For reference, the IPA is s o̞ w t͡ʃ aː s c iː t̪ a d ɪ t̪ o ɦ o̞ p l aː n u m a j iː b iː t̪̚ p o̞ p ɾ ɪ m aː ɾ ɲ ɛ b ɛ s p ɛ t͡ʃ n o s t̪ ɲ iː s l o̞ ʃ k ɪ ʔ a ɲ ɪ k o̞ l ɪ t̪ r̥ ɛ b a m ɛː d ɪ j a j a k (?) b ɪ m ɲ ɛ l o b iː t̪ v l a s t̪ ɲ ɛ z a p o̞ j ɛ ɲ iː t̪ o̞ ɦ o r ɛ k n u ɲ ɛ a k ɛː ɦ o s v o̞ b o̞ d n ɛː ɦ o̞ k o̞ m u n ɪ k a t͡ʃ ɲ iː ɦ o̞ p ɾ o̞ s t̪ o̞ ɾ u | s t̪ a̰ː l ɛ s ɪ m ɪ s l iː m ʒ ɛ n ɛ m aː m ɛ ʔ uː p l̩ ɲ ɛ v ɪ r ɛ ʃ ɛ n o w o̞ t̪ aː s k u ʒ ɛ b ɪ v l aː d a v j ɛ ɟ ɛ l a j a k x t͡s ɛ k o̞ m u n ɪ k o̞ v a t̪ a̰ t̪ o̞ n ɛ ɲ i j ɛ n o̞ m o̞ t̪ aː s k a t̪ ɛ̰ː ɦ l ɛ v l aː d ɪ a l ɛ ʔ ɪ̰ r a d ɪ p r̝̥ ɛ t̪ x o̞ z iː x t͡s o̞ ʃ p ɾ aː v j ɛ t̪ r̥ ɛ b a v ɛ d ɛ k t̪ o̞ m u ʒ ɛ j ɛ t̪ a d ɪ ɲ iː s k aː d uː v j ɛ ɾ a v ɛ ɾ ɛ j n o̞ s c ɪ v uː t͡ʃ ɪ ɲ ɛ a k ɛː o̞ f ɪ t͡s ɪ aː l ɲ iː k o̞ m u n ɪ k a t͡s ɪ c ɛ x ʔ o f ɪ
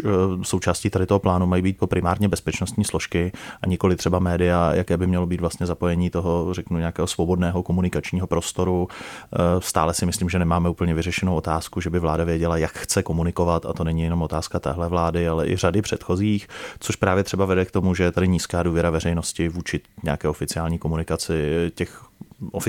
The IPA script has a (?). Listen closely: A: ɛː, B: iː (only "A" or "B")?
A